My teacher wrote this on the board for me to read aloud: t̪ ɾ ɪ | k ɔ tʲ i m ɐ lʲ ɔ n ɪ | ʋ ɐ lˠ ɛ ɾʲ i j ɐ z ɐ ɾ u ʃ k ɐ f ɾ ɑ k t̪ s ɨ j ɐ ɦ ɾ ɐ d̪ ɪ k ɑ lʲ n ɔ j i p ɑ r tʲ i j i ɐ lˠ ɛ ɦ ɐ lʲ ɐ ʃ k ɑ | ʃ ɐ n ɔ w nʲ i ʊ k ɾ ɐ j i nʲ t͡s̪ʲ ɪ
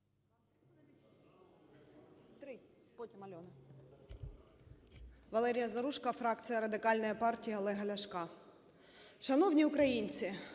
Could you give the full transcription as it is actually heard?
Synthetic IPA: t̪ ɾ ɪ | p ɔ tʲ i m ɐ lʲ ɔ n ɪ | ʋ ɐ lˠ ɛ ɾʲ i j ɐ z ɐ ɾ u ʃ k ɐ f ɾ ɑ k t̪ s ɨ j ɐ ɾ ɐ d̪ ɪ k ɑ lʲ n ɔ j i p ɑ r tʲ i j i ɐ lˠ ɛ ɦ ɐ lʲ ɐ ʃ k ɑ | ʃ ɐ n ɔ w nʲ i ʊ k ɾ ɐ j i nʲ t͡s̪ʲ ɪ